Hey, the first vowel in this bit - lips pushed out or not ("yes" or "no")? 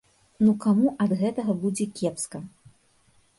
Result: yes